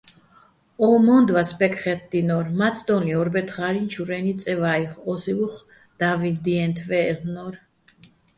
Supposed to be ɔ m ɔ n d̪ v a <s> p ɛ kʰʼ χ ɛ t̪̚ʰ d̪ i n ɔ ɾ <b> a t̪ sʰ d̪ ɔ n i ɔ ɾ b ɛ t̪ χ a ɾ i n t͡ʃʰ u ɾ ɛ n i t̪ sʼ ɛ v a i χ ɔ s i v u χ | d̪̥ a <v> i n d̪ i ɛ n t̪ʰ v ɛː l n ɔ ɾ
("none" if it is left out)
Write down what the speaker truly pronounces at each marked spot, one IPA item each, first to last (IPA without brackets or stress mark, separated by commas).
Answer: s, m, v